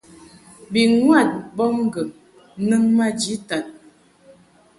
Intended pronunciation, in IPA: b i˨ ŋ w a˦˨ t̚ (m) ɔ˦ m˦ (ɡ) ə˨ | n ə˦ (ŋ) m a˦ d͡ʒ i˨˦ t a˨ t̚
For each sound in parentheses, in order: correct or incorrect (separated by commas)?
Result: incorrect, correct, correct